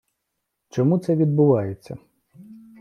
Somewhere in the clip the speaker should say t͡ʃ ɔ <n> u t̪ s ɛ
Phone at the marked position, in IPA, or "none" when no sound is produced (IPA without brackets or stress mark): m